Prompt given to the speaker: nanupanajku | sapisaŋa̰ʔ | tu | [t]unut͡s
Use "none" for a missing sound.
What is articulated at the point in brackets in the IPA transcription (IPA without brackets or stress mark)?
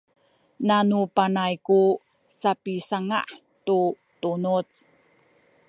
t